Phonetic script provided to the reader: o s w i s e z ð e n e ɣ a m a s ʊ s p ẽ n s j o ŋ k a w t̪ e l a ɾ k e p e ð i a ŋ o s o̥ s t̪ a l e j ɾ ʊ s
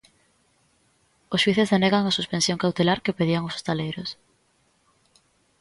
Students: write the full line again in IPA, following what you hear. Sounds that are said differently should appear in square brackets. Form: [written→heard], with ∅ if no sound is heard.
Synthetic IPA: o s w i [s→θ] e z ð e n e ɣ a [m→ŋ] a s [ʊ→u] s p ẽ n s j o ŋ k a w t̪ e l a ɾ k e p e ð i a ŋ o s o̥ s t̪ a l e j ɾ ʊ s